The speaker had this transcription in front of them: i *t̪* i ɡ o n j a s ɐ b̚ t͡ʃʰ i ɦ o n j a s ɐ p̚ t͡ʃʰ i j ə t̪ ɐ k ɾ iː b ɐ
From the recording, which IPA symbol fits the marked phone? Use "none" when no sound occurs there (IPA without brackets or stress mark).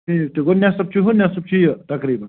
t̪